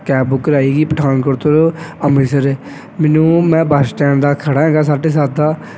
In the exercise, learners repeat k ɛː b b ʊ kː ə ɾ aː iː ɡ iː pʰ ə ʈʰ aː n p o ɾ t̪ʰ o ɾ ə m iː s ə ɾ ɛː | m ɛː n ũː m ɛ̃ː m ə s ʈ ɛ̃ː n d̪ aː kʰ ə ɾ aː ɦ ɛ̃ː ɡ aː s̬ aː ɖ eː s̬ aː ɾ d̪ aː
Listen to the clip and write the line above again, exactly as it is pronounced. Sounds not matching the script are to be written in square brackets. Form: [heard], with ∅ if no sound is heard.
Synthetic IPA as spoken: k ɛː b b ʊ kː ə ɾ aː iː ɡ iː [p] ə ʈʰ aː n [k] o ɾ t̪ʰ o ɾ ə m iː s ə ɾ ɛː | m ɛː n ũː m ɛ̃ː [b] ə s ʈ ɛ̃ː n d̪ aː kʰ ə [ɽ] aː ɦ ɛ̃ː ɡ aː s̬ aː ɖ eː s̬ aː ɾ d̪ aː